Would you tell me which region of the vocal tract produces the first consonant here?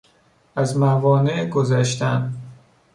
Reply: tongue tip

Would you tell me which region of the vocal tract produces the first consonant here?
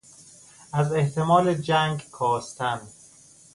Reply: tongue tip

